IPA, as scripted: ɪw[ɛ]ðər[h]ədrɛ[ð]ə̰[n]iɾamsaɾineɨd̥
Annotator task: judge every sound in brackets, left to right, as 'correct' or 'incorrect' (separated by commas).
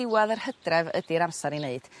incorrect, correct, incorrect, incorrect